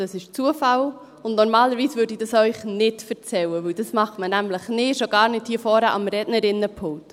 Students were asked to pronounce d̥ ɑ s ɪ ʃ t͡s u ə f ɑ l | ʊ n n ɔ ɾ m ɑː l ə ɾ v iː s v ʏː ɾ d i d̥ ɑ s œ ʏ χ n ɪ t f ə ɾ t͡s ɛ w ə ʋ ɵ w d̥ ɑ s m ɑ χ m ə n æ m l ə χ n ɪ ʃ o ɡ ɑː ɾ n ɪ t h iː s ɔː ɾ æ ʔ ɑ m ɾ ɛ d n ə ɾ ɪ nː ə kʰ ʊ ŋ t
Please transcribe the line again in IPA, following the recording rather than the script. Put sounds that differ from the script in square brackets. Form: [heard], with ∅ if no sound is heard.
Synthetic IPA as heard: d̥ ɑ s ɪ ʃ t͡s u ə f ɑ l | ʊ n n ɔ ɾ m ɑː l ə ɾ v iː s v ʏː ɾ d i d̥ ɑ s œ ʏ χ n ɪ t f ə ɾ t͡s ɛ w ə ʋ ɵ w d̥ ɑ s m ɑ χ m ə n æ m l ə χ n ɪ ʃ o ɡ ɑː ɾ n ɪ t h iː [f] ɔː ɾ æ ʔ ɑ m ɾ ɛ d n ə ɾ ɪ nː ə [pʰ] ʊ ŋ t